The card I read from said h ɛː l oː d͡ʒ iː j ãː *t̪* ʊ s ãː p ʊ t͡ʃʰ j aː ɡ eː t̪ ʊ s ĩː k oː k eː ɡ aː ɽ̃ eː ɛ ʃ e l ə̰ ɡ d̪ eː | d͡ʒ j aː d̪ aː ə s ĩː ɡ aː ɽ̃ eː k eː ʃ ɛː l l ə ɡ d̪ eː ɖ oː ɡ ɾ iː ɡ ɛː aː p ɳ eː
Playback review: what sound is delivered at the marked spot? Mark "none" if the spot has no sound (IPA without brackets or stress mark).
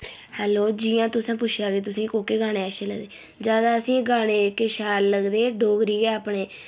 t̪